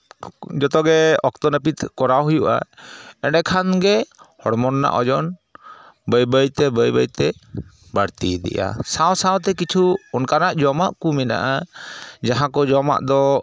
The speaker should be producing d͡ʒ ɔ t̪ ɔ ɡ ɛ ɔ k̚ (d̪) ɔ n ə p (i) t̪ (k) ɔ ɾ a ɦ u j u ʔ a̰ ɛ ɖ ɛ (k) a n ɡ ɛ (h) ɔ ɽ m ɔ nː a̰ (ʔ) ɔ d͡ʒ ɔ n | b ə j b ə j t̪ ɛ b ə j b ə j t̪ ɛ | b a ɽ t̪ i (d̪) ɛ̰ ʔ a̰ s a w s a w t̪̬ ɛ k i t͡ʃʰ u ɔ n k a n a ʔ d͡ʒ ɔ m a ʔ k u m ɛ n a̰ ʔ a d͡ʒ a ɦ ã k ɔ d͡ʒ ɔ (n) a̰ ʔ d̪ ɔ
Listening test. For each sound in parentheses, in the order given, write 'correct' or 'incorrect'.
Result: incorrect: t̪, correct, correct, incorrect: kʰ, correct, correct, correct, incorrect: m

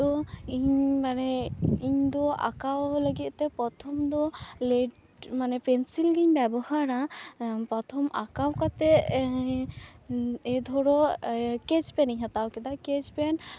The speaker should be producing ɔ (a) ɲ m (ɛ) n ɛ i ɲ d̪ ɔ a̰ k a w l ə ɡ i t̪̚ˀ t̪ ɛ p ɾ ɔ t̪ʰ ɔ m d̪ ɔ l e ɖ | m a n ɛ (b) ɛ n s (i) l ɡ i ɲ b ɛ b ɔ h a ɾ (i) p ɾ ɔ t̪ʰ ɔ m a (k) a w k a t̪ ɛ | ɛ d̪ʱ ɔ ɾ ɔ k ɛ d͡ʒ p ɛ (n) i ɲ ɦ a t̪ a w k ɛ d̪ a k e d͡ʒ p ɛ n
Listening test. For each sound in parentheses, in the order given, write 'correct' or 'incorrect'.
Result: incorrect: i, incorrect: a, incorrect: p, correct, incorrect: a, correct, correct

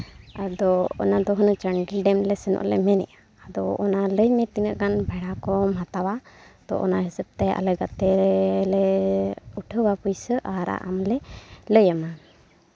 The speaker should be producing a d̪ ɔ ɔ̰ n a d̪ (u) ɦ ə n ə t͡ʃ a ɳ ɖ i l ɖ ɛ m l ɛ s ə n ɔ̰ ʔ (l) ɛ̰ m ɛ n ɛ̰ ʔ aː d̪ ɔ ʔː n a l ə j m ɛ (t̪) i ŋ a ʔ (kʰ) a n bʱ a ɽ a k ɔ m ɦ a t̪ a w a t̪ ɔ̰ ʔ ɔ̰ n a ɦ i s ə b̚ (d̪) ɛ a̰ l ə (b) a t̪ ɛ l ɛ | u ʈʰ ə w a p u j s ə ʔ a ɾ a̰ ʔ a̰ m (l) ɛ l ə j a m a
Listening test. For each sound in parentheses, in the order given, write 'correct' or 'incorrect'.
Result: incorrect: ɔ, correct, correct, incorrect: k, incorrect: t̪, incorrect: ɡ, correct

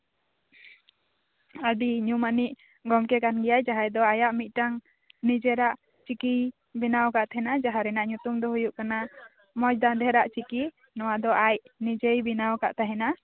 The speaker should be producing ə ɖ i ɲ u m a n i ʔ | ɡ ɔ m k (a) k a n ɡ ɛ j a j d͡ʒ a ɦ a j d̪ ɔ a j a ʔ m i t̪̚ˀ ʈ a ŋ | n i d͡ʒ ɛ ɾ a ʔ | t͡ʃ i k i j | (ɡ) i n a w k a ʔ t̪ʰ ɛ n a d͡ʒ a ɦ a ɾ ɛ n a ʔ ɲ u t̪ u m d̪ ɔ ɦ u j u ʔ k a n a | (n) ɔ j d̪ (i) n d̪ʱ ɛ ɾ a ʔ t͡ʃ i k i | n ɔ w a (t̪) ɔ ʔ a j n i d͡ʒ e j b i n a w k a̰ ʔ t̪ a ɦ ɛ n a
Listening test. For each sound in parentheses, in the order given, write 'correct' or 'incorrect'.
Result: incorrect: ɛ, incorrect: b, incorrect: m, incorrect: a, incorrect: d̪

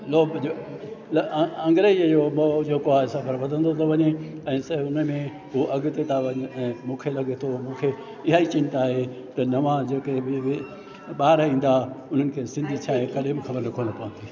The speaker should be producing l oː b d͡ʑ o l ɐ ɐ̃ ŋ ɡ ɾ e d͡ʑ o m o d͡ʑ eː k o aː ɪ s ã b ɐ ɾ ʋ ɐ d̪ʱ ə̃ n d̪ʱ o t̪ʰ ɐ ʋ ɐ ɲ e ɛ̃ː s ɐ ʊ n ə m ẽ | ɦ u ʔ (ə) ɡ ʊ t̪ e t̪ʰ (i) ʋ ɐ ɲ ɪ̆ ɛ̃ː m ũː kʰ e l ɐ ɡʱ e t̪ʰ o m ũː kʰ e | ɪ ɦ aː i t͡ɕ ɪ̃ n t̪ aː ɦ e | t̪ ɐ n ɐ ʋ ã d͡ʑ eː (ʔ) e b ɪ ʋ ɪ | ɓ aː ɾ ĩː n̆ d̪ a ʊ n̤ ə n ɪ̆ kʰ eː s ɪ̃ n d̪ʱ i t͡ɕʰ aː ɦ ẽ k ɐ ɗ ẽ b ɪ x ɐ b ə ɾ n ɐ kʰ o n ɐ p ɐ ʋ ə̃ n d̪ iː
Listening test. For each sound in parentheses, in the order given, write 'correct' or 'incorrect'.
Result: incorrect: ɐ, incorrect: a, incorrect: k

